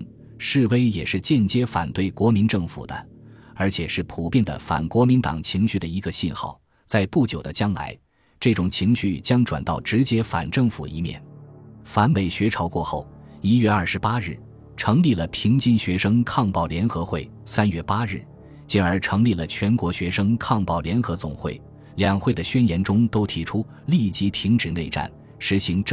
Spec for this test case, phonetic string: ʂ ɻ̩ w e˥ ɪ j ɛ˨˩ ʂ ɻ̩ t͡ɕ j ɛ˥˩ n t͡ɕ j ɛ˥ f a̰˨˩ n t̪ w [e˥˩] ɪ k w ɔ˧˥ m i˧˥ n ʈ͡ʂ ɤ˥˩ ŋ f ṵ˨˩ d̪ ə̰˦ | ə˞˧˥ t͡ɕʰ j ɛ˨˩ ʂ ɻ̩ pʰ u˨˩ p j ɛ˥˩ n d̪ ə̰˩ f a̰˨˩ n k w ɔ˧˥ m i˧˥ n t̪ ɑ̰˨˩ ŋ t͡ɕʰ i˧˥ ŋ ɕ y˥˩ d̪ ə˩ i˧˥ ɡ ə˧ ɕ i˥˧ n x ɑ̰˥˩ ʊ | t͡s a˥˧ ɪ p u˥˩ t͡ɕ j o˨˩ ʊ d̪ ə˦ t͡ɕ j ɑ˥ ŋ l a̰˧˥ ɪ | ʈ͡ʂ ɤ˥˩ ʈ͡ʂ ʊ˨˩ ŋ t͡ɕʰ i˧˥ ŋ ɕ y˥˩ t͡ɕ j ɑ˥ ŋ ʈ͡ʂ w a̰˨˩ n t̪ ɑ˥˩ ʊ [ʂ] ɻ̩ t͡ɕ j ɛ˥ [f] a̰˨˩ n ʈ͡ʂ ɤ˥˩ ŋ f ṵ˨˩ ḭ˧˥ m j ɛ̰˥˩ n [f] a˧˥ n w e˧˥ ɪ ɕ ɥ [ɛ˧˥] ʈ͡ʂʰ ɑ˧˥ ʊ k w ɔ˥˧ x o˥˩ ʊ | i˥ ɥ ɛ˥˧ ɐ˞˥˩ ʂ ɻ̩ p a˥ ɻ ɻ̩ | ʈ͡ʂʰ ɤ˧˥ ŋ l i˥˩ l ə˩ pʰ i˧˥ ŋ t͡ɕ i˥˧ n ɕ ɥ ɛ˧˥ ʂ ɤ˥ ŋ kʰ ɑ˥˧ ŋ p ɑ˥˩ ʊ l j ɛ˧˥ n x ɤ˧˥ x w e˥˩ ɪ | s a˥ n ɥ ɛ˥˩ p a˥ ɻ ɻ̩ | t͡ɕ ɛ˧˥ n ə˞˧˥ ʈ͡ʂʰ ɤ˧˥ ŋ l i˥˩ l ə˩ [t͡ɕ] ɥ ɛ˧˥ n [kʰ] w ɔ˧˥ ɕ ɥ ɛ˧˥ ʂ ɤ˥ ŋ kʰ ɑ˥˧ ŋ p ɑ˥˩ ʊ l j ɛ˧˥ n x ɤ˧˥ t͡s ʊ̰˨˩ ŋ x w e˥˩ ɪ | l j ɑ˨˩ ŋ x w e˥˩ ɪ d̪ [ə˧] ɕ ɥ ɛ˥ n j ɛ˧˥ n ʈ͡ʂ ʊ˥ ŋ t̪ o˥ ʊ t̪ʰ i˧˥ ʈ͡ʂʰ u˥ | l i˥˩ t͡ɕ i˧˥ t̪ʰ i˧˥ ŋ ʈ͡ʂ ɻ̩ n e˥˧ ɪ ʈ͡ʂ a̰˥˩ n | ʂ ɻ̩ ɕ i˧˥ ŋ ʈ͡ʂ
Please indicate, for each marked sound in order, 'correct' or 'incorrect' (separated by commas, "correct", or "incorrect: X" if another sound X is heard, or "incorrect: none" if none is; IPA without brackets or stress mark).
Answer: correct, incorrect: ʈ͡ʂ, correct, correct, correct, incorrect: t͡ɕʰ, incorrect: k, incorrect: ə˩